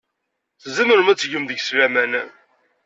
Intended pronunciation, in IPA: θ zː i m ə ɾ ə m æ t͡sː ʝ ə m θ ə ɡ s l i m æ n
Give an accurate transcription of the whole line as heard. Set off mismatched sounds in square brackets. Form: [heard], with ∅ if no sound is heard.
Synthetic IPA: θ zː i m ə ɾ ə m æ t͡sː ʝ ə m [ð] ə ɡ s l [æ] m æ n

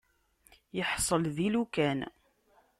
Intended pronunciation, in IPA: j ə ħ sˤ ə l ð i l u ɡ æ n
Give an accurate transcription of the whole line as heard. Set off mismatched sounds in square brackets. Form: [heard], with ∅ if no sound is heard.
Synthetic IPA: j ə ħ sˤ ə l ð i l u [k] æ n

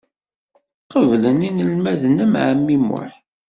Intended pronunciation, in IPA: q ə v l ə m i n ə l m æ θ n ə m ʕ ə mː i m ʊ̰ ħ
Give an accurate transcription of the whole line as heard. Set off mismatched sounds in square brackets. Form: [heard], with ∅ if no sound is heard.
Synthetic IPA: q ə v l ə [n] i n ə l m æ [ð] n ə m ʕ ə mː i m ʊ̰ ħ

